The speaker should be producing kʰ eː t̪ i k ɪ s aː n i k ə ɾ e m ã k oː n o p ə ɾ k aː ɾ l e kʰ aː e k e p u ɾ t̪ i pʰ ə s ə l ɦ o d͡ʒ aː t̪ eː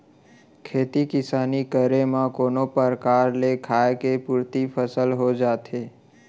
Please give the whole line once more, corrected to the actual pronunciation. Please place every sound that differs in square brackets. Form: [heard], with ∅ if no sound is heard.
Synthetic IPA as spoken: kʰ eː t̪ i k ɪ s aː n i k ə ɾ e m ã k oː n o p ə ɾ k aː ɾ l e kʰ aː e k e p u ɾ t̪ i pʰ ə s ə l ɦ o d͡ʒ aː t̪ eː